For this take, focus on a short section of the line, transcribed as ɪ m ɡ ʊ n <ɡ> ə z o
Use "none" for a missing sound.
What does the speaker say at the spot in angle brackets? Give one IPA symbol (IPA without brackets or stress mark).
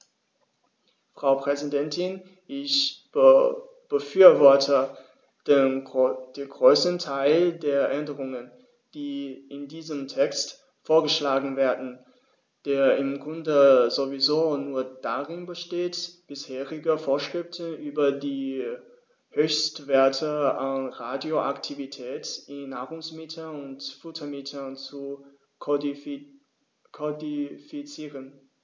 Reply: d